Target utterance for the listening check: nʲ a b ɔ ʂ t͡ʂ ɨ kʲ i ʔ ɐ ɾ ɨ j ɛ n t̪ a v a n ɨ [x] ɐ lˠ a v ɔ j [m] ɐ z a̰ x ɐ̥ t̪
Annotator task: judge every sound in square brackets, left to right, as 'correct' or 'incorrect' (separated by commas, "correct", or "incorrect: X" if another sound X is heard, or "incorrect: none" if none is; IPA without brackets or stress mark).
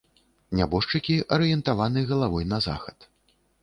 incorrect: ɣ, incorrect: n